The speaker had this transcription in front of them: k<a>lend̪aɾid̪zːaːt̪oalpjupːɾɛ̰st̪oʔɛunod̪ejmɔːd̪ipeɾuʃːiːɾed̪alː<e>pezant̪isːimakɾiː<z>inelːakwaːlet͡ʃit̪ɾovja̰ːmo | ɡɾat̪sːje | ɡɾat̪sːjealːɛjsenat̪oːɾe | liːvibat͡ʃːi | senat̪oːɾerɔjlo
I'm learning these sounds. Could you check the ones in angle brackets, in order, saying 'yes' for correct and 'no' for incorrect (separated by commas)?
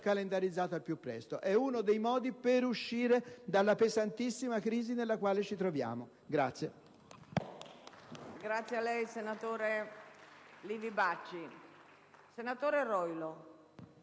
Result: yes, no, yes